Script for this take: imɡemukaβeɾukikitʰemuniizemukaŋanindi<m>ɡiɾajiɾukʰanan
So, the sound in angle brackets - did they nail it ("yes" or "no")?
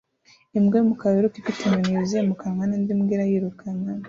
yes